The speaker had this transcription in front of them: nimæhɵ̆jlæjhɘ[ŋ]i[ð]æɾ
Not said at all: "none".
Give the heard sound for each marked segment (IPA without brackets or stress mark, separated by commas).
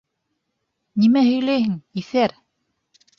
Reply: ŋ, θ